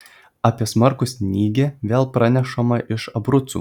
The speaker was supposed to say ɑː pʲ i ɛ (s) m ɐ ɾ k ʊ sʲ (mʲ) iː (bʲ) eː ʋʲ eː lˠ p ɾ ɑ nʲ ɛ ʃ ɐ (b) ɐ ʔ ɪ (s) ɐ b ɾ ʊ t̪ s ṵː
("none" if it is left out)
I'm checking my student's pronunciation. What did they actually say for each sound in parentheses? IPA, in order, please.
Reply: s, nʲ, ɡʲ, m, ʃ

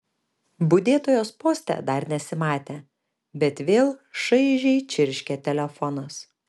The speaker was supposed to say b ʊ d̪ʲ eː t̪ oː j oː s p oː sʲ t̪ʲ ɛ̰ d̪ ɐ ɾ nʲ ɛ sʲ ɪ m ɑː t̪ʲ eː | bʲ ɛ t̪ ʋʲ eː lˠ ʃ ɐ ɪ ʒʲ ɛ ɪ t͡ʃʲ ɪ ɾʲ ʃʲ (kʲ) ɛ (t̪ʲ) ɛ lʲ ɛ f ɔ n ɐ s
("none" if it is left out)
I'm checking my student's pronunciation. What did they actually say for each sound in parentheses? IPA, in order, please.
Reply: kʲ, t̪ʲ

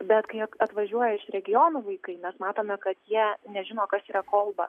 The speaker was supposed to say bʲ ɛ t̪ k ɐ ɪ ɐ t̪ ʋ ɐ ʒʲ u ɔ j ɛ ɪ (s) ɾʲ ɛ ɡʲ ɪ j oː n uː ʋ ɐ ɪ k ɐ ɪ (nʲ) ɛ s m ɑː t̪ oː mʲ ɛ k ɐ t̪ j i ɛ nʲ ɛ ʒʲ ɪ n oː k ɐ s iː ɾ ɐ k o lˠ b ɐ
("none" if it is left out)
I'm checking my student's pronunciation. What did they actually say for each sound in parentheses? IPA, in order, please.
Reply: ʃ, mʲ

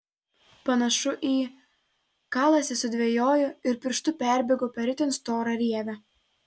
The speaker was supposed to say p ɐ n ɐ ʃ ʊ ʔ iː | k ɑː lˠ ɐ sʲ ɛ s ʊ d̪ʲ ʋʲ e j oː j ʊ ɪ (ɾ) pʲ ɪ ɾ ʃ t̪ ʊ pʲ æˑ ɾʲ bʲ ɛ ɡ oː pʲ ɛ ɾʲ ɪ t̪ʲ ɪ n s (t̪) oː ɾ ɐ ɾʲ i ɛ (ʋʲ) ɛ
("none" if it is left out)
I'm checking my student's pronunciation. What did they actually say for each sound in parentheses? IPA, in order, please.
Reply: ɾ, t̪, ʋʲ

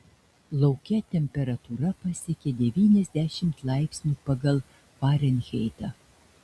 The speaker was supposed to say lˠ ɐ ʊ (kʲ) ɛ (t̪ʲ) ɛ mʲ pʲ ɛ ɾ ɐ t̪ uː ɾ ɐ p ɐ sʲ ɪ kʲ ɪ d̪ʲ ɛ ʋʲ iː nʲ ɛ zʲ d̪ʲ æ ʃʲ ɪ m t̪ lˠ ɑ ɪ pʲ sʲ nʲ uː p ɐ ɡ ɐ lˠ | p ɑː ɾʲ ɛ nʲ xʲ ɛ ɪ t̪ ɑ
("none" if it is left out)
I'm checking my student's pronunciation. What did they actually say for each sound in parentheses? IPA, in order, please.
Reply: kʲ, t̪ʲ

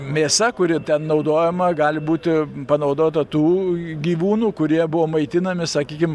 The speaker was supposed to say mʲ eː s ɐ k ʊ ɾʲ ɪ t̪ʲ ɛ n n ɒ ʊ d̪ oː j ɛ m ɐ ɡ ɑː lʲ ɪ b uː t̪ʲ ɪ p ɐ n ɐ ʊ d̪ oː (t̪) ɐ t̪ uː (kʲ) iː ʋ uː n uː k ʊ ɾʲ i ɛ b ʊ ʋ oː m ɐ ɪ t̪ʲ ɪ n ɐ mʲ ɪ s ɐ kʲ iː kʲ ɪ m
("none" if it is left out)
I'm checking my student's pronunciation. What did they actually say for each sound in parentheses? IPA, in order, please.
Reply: t̪, ɡʲ

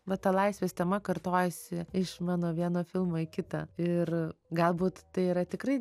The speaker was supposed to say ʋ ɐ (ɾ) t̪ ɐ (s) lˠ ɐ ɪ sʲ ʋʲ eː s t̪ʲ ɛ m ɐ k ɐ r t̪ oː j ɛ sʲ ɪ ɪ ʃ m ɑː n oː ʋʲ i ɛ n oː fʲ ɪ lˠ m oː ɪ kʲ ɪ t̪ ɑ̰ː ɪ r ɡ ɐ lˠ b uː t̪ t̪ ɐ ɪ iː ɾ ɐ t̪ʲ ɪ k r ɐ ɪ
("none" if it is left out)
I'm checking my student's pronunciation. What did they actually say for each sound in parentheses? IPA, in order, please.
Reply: none, none

